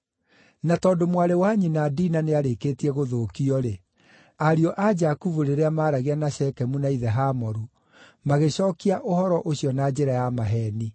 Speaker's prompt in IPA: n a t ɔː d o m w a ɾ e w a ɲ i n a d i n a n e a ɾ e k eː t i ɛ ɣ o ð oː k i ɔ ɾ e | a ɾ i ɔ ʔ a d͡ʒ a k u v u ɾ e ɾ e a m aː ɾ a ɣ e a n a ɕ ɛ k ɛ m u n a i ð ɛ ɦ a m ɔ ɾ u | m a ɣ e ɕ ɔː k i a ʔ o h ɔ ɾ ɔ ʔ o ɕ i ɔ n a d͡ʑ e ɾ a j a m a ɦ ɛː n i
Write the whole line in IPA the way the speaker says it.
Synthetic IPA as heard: n a t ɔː d o m w a ɾ e w a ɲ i n a d i n a n e a ɾ e k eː t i ɛ ɣ o ð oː k i ɔ ɾ e | a ɾ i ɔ ʔ a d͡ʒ a k u v u ɾ e ɾ e a m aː ɾ a ɣ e a n a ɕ ɛ k ɛ m u n a i ð ɛ ɦ a m ɔ ɾ u | m a ɣ e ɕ ɔː k i a ʔ o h ɔ ɾ ɔ ʔ o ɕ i ɔ n a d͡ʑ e ɾ a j a m a ɦ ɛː n i